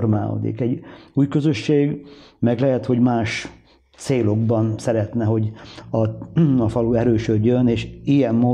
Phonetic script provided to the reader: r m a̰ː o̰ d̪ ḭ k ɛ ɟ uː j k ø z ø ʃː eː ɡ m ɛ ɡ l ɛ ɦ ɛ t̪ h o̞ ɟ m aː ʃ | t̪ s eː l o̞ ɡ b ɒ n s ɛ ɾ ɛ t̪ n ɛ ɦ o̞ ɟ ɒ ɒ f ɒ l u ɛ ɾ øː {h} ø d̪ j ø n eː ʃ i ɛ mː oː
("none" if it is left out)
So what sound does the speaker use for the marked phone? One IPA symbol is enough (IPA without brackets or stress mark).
ʃ